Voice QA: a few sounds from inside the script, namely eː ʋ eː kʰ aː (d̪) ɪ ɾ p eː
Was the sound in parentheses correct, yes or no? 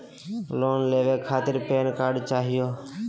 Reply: no